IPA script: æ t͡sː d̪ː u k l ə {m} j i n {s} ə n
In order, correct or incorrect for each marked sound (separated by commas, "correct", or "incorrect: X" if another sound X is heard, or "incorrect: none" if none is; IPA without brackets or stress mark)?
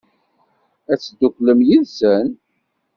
correct, correct